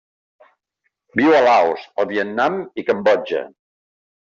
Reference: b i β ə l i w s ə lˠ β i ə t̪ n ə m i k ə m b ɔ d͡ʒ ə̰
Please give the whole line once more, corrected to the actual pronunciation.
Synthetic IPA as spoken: b i w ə l a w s ə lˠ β i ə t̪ n a m i k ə m b ɔ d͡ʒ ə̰